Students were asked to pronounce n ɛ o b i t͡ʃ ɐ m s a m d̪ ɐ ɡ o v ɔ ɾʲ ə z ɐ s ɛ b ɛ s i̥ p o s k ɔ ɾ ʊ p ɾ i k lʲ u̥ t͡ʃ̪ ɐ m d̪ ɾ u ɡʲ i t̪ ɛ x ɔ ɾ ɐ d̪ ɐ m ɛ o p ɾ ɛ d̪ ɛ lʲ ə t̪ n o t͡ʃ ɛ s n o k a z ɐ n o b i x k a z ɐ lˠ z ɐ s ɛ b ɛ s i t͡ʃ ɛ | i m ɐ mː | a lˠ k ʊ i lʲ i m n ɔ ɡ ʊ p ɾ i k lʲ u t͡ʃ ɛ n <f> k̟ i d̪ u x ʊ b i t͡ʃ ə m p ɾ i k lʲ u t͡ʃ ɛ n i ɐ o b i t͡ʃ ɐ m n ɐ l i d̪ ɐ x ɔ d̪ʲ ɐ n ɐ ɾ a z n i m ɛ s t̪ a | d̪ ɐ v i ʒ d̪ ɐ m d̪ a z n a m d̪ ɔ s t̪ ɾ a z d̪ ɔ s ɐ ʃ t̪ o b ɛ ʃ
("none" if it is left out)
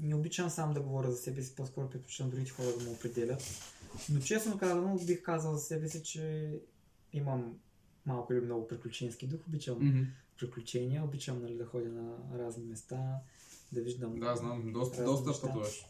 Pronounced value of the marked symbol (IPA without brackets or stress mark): s